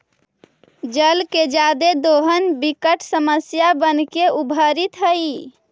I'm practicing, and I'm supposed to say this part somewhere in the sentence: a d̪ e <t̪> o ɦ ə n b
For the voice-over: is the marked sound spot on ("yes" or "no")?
no